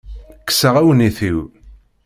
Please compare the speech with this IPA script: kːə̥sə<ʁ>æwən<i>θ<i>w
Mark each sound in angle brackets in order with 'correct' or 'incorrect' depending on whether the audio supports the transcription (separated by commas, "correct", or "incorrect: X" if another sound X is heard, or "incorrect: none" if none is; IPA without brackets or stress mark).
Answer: correct, correct, correct